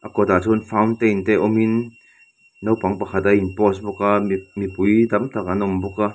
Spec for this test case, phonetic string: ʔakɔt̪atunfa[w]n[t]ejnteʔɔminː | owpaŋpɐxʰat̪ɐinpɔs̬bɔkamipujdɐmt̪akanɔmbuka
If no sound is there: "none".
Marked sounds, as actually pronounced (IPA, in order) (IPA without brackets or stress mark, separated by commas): w, t